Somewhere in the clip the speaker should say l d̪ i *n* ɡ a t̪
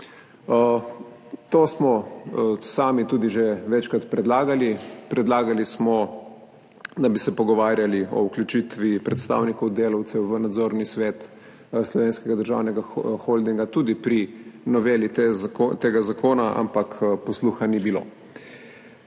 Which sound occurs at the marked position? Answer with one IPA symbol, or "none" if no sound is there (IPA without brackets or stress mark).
ŋ